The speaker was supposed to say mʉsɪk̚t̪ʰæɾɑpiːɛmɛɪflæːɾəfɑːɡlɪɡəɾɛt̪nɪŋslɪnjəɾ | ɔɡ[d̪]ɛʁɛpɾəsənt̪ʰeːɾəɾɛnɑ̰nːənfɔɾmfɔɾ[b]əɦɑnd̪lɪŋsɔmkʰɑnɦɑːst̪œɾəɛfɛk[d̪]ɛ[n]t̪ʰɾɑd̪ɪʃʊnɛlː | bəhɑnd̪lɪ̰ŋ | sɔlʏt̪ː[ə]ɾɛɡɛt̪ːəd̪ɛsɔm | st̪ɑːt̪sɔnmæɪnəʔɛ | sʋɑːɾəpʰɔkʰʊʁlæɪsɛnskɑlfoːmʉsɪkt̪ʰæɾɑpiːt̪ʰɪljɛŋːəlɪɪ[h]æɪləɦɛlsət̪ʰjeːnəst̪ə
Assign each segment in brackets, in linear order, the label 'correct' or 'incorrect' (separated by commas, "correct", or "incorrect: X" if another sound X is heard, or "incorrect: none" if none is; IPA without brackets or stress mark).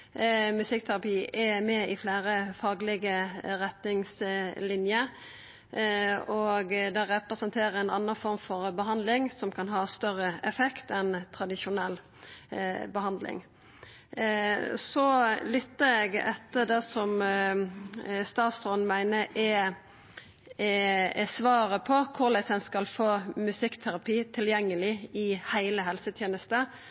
correct, correct, incorrect: t̪, correct, correct, correct